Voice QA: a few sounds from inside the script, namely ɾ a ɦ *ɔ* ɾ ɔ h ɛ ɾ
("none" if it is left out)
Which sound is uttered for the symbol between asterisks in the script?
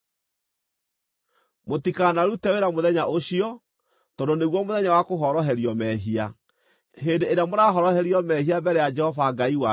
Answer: ɔ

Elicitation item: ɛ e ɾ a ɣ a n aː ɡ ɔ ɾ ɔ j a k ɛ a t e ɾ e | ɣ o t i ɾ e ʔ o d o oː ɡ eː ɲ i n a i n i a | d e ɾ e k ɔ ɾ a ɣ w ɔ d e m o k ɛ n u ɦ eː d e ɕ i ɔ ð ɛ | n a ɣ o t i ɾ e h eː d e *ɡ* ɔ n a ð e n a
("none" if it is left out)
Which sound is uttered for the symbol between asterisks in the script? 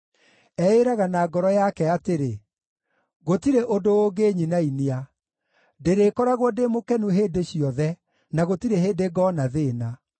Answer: ɡ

